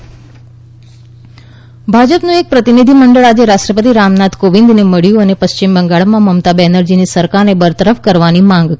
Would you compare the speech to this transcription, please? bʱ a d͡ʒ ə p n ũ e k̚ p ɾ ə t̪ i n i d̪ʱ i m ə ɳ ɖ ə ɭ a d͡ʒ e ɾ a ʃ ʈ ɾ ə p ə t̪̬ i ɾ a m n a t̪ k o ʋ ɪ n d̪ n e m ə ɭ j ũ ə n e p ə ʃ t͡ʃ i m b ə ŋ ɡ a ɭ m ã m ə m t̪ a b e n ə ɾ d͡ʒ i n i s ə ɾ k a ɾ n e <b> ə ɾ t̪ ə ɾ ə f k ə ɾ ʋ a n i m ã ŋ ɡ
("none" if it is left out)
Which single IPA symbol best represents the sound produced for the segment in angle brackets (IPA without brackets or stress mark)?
b